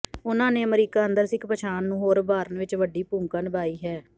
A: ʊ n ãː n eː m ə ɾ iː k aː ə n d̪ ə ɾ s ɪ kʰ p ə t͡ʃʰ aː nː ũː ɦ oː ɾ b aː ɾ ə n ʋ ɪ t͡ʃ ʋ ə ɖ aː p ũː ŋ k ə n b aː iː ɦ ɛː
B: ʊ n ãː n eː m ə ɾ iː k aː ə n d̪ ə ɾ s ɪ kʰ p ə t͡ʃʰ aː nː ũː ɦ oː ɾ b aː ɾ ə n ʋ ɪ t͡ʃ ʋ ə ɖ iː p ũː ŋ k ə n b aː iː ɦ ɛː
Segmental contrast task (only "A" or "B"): B